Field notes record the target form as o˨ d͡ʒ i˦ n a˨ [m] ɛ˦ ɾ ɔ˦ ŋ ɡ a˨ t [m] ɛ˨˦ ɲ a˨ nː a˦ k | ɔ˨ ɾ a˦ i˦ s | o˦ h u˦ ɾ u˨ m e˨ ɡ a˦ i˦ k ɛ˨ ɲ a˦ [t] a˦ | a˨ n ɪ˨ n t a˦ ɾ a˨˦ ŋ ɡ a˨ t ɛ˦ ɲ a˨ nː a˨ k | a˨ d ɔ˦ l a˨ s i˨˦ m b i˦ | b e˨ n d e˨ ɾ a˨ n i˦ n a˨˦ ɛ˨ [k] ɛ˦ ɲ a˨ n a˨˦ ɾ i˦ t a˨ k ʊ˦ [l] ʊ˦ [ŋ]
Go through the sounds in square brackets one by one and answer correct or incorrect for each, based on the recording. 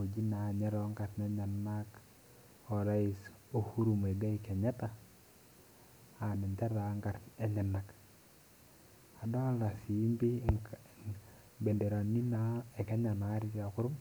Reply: incorrect: ɲ, incorrect: n, correct, correct, incorrect: ɾ, incorrect: m

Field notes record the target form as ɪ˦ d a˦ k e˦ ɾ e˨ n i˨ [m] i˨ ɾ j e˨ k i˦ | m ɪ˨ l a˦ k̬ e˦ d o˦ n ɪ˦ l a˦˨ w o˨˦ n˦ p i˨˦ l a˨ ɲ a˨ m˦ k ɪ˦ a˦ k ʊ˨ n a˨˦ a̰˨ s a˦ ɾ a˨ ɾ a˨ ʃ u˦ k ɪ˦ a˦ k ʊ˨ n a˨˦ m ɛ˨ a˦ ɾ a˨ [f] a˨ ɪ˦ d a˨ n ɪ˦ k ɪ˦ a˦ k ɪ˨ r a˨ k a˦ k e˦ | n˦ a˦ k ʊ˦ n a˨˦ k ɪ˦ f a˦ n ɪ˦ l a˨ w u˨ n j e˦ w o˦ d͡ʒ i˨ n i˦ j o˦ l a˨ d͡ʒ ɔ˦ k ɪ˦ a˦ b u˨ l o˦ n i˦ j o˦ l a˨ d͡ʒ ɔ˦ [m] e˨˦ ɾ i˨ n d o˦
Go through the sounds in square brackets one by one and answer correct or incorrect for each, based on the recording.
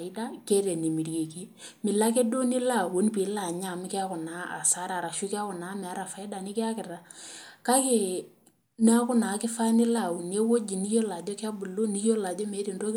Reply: correct, correct, correct

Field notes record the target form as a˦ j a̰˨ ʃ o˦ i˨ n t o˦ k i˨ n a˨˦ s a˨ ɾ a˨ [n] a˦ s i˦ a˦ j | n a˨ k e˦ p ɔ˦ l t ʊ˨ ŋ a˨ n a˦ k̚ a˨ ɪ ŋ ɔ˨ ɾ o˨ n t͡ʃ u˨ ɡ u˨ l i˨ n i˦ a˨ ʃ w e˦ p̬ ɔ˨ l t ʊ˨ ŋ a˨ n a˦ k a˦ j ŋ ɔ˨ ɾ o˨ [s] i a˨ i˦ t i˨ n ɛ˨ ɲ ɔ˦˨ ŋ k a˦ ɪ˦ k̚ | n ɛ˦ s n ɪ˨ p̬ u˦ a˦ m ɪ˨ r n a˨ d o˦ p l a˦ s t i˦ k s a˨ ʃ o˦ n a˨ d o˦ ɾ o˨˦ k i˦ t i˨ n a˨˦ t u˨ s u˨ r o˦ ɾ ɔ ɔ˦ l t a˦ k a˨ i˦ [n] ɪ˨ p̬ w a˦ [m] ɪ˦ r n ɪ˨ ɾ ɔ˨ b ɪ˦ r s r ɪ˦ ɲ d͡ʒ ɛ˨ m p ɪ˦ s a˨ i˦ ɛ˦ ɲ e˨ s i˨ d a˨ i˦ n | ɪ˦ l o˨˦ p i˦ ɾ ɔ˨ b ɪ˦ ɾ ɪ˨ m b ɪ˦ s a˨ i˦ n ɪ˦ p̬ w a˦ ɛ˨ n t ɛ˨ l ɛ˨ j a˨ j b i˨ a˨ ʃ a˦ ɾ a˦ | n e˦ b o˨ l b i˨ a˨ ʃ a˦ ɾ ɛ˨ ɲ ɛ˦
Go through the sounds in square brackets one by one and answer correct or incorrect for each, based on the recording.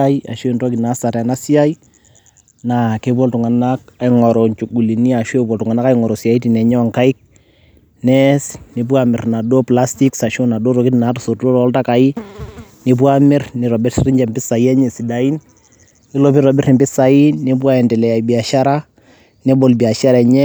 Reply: correct, correct, correct, correct

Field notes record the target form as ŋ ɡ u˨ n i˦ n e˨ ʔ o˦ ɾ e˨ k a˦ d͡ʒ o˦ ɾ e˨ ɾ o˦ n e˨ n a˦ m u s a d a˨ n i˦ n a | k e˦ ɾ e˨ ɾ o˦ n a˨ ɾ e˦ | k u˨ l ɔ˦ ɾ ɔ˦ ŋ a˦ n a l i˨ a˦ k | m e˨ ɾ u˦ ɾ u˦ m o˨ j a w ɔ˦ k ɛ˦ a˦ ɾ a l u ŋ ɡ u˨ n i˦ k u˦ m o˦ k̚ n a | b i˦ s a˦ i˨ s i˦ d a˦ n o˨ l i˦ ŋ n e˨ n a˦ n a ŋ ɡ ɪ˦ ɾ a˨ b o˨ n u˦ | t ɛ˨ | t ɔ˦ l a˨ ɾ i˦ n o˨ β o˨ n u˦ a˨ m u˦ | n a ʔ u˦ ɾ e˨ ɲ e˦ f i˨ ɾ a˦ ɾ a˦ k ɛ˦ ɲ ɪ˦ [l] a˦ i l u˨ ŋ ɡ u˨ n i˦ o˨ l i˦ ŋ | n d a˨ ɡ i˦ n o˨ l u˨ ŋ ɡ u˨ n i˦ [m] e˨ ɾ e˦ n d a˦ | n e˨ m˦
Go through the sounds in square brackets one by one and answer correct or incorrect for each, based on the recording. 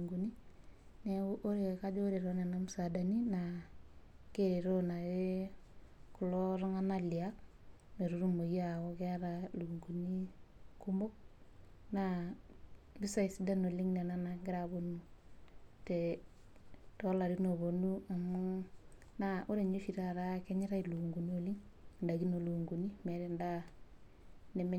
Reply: incorrect: ɾ, correct

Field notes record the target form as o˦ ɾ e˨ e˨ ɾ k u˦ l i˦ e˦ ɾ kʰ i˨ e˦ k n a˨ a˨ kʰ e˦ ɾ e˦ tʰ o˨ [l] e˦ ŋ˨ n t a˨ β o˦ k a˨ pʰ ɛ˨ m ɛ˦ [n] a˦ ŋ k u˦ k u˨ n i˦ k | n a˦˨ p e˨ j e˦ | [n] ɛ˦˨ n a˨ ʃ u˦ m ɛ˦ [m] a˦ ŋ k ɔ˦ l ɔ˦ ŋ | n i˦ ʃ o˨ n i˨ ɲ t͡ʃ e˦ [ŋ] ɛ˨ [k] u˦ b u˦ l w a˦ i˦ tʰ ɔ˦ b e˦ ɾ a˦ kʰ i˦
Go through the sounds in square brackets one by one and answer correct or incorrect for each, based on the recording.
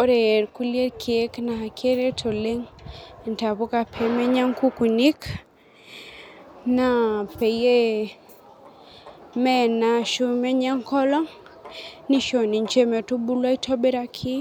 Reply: correct, incorrect: ɲ, incorrect: m, incorrect: ɲ, incorrect: m, incorrect: t

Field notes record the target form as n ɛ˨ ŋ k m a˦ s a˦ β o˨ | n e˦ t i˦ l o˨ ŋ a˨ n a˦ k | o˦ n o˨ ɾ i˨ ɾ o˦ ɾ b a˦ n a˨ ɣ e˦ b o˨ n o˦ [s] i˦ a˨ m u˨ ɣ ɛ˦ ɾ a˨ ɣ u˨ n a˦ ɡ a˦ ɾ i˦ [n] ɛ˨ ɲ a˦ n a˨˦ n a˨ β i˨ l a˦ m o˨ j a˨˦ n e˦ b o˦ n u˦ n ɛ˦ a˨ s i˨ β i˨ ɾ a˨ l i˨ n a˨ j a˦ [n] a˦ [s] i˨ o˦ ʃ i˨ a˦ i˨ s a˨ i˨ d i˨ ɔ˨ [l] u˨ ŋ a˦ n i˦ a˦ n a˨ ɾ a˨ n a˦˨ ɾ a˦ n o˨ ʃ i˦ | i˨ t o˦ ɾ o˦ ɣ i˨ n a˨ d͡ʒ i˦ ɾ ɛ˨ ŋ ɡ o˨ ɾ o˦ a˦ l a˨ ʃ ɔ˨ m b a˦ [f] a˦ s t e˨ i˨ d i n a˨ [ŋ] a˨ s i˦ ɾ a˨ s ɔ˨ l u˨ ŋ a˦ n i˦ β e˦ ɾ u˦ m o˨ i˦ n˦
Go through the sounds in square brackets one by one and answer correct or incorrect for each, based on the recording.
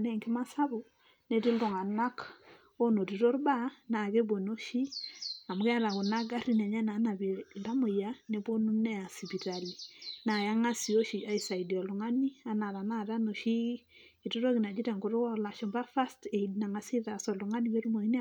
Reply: incorrect: ʃ, correct, incorrect: ŋ, correct, correct, correct, correct

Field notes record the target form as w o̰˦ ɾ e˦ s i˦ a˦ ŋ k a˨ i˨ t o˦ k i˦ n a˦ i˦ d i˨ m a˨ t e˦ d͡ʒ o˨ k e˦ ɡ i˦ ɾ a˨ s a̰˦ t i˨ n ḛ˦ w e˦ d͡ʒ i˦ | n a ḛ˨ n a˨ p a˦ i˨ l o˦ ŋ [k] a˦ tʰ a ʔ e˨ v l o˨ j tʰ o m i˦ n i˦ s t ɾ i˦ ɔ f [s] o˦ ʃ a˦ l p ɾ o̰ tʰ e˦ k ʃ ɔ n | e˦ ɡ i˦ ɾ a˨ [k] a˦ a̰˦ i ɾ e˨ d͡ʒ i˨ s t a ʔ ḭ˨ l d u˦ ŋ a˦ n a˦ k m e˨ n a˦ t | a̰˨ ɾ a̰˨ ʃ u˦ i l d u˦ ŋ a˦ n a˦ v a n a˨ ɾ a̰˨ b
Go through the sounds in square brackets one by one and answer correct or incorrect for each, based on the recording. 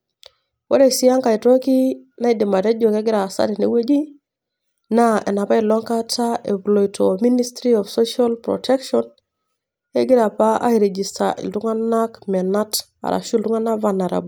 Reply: correct, correct, incorrect: p

